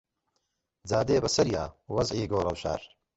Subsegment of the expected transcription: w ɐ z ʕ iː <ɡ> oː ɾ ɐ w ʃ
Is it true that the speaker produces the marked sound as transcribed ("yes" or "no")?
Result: yes